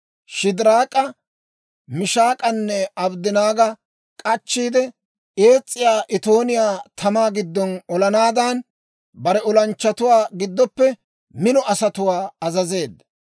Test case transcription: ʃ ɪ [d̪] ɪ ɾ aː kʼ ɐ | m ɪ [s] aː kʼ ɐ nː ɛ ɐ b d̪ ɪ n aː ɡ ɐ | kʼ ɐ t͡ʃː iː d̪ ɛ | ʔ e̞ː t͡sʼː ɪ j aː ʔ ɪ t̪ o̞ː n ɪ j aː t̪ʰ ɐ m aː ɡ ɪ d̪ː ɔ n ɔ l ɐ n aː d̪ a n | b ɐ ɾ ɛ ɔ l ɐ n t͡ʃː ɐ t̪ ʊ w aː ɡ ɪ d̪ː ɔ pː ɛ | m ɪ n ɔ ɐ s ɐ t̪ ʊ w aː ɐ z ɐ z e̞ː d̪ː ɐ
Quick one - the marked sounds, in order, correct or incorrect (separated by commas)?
correct, incorrect